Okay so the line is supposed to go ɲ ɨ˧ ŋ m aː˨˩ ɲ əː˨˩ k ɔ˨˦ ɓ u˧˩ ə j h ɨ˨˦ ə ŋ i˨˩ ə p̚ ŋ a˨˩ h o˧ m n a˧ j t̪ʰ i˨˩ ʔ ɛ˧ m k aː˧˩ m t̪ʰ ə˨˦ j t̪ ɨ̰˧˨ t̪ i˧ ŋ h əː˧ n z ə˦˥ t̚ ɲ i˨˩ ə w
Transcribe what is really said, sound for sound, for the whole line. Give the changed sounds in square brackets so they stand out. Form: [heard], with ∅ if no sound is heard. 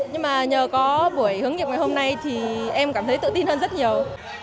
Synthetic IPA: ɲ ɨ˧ ŋ m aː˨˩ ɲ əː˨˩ k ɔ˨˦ ɓ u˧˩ ə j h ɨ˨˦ ə ŋ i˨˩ ə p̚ ŋ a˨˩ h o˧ m n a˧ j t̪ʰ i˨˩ ʔ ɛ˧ m k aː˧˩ m t̪ʰ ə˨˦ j t̪ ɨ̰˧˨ t̪ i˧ [n] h əː˧ n z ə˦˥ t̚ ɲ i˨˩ ə w